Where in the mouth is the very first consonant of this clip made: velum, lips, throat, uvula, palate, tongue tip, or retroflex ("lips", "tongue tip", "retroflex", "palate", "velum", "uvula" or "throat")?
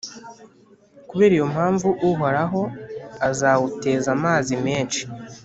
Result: velum